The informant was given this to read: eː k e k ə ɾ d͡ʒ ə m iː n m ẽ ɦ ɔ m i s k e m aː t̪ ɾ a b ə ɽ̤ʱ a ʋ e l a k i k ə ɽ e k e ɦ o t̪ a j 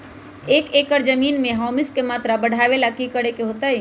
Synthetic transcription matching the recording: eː k e k ə ɾ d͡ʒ ə m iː n m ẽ ɦ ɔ m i s k e m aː t̪ ɾ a b ə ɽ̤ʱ a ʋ e l a k i k ə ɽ e k e ɦ o t̪ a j